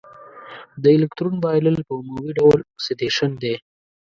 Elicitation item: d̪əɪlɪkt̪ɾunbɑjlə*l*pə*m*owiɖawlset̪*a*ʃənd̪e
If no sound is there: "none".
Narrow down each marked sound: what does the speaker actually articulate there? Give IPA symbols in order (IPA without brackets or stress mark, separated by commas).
l, m, e